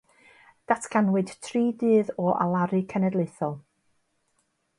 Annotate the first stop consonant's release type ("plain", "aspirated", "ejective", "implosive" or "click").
plain